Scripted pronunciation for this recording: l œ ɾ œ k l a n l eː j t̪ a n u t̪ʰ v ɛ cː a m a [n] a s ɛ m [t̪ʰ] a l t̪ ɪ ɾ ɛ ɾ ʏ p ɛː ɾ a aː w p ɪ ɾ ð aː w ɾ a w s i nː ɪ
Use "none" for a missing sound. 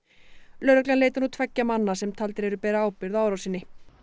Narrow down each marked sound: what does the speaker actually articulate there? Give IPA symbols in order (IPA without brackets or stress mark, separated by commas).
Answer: nː, t̪ʰ